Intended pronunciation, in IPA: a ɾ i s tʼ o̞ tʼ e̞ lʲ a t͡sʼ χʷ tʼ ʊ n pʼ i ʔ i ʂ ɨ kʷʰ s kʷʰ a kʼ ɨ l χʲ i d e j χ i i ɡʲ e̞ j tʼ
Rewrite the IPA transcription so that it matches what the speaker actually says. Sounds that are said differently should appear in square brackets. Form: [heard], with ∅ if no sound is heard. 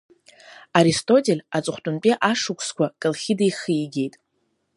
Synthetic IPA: a ɾ i s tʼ o̞ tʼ e̞ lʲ a t͡sʼ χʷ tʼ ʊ n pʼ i ʔ [a] ʂ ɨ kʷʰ s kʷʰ a kʼ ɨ l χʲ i d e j χ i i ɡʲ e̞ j tʼ